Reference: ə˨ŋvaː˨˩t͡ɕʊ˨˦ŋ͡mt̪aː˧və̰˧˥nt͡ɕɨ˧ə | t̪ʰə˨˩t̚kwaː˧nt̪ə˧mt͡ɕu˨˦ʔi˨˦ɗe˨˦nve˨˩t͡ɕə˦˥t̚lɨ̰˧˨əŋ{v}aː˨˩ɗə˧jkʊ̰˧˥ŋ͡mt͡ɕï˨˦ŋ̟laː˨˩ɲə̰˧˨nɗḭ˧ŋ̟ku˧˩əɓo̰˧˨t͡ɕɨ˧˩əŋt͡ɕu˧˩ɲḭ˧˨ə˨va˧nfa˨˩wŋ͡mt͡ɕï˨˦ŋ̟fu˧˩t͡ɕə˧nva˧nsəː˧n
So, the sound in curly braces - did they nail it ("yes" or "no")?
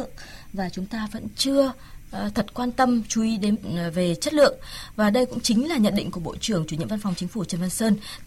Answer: yes